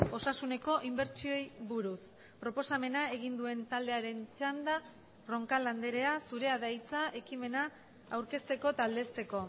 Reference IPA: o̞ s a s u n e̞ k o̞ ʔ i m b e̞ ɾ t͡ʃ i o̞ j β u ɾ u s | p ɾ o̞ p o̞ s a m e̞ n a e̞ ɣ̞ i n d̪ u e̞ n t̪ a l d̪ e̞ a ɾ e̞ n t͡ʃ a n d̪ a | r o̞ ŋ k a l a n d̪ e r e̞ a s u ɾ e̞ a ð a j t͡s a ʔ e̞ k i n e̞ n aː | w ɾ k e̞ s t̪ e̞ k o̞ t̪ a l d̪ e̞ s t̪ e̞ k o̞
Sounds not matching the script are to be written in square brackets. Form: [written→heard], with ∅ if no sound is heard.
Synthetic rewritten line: o̞ s a s u n e̞ k o̞ ʔ i m b e̞ ɾ t͡ʃ i o̞ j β u ɾ u s | p ɾ o̞ p o̞ s a m e̞ n a e̞ ɣ̞ i n d̪ u e̞ n t̪ a l d̪ e̞ a ɾ e̞ n t͡ʃ a n d̪ a | r o̞ ŋ k a l a n d̪ e [r→ɾ] e̞ a s u ɾ e̞ a ð a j t͡s a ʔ e̞ k i [n→m] e̞ n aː | w ɾ k e̞ s t̪ e̞ k o̞ t̪ a l d̪ e̞ s t̪ e̞ k o̞